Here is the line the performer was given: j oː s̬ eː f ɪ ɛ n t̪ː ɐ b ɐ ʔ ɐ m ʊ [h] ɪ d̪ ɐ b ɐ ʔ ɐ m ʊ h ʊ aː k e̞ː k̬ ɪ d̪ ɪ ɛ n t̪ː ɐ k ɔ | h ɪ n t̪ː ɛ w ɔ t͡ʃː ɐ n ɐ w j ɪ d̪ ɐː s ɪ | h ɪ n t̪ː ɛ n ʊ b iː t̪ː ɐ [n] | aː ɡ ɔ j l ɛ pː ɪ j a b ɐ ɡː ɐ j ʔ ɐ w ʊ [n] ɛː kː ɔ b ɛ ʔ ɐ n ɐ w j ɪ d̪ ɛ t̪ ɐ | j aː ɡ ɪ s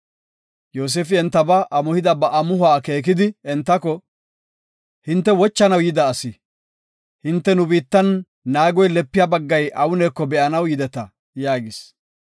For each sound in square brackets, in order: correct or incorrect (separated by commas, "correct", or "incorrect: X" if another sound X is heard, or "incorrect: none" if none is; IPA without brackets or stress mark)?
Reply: correct, incorrect: nː, correct